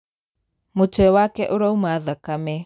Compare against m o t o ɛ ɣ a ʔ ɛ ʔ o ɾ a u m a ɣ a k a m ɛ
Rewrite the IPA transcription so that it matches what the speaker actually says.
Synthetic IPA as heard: m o t͡ʃ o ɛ w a k ɛ ʔ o ɾ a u m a ð a k a m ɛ